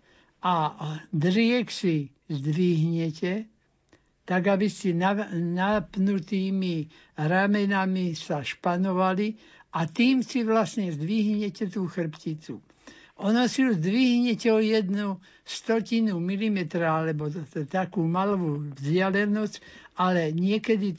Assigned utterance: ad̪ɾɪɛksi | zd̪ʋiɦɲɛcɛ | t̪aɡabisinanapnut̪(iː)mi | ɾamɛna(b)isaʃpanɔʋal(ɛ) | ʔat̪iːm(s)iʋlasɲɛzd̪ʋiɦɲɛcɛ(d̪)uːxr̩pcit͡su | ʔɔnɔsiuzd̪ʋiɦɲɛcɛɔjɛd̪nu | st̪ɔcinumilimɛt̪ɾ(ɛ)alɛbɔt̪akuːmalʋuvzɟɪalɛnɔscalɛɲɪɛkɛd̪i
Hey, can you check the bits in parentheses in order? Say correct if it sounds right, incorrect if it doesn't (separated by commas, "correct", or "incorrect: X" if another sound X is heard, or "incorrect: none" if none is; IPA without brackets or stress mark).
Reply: correct, incorrect: m, incorrect: i, correct, incorrect: t̪, incorrect: a